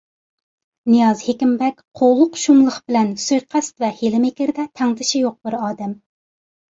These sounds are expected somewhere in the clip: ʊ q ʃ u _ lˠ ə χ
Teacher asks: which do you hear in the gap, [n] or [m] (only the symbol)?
m